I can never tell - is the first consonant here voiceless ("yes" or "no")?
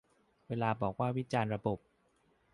no